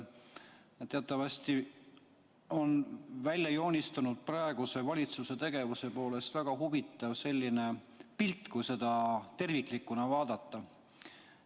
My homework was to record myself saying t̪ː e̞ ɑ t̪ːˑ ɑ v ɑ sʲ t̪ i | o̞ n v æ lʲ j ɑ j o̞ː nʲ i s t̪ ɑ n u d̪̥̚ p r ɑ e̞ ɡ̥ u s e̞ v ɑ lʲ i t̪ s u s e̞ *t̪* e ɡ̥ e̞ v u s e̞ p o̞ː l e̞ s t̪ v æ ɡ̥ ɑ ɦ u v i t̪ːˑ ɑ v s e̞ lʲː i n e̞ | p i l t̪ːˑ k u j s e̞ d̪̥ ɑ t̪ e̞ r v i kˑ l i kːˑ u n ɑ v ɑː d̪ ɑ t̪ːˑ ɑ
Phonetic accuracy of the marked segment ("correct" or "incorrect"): correct